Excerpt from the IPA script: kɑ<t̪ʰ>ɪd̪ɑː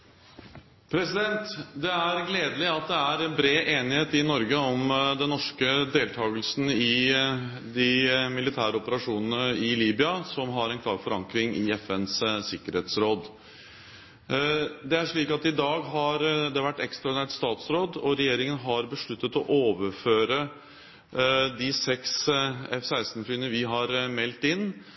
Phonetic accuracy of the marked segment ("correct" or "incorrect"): incorrect